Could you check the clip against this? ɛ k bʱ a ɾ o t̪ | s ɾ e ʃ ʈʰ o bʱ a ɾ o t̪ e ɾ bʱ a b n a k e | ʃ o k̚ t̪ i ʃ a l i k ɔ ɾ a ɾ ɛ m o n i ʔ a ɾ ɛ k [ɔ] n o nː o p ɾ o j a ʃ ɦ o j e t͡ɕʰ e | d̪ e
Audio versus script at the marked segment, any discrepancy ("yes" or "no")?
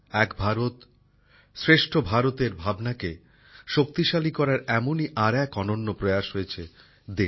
no